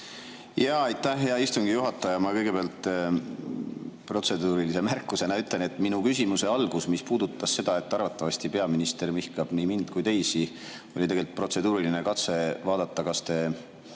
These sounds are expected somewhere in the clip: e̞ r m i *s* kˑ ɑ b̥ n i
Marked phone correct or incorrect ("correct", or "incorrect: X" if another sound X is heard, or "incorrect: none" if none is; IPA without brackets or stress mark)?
incorrect: h